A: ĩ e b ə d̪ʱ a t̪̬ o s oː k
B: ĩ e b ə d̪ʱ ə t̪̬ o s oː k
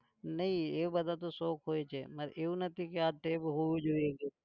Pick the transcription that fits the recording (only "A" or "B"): A